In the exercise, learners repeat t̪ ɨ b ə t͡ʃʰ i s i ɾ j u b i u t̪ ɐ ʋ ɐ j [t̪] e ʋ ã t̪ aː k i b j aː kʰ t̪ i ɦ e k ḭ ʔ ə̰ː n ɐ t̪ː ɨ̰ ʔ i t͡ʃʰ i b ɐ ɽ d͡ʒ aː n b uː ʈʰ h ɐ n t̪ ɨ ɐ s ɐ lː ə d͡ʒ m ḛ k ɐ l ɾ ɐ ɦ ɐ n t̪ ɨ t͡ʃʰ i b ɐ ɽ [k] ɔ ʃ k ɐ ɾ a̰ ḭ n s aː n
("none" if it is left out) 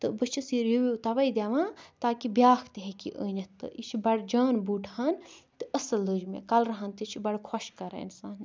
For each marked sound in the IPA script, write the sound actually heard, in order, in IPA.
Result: d̪, kʰ

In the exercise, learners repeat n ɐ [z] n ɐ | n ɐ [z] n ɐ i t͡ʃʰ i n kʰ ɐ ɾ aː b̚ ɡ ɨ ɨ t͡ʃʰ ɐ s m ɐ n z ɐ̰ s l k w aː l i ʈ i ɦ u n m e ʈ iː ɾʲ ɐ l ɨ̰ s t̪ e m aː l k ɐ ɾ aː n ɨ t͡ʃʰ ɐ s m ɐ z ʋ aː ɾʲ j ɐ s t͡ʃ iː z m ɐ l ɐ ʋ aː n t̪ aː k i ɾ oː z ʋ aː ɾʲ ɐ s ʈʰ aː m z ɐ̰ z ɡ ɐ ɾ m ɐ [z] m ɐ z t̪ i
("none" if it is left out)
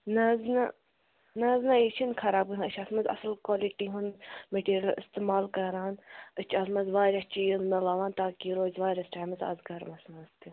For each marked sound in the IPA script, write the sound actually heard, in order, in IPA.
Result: z, z, s

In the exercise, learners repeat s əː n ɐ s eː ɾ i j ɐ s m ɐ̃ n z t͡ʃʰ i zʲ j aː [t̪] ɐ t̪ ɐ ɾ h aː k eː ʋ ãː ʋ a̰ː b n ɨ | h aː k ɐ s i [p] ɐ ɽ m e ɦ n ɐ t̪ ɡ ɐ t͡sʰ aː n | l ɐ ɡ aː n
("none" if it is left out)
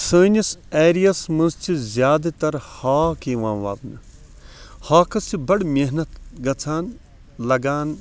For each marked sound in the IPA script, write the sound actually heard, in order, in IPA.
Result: d̪, b

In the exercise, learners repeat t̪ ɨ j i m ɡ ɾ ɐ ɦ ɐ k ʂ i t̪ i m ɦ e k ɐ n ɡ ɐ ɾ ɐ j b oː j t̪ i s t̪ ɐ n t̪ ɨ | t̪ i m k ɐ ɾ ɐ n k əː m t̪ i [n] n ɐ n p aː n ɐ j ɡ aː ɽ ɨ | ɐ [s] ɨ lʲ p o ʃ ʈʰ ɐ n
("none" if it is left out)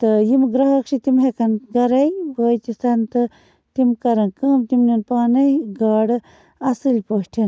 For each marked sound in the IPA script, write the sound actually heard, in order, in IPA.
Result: m, s

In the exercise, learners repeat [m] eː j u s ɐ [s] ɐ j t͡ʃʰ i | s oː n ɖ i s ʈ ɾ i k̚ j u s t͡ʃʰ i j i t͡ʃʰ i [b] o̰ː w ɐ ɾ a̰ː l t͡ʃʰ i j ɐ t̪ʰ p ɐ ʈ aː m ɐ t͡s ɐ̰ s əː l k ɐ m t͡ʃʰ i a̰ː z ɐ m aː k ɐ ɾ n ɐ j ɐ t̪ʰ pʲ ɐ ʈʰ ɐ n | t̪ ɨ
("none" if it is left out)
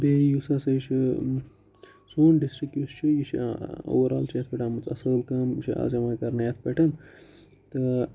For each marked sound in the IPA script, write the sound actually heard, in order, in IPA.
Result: b, s, none

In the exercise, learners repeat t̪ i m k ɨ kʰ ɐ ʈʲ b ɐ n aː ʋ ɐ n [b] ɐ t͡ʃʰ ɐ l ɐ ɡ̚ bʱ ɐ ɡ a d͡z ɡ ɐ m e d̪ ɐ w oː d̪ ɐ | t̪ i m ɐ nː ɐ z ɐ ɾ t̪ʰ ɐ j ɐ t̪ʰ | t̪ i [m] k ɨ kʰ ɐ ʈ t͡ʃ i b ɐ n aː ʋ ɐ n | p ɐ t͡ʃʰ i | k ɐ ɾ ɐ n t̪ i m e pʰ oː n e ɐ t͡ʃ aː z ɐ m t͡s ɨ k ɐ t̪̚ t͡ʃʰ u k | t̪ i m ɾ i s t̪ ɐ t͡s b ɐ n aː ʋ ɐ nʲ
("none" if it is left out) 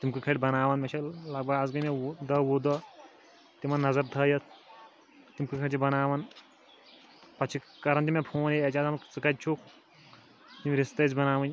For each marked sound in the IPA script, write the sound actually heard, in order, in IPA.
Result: m, m

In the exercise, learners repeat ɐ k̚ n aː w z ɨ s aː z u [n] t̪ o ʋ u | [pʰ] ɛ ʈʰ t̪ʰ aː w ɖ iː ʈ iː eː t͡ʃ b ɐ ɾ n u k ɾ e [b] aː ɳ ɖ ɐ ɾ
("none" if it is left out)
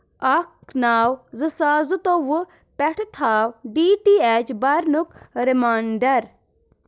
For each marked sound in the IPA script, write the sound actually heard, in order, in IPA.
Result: none, p, m

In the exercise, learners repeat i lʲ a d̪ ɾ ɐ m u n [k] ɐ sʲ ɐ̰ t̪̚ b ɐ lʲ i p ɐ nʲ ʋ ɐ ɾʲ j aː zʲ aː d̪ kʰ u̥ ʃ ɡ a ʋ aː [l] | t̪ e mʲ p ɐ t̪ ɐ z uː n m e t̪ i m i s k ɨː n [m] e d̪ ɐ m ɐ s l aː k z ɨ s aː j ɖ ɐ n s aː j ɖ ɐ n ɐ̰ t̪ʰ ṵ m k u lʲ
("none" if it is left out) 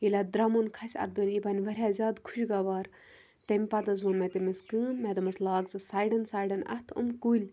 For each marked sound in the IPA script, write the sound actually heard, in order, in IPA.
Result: kʰ, ɾ, m

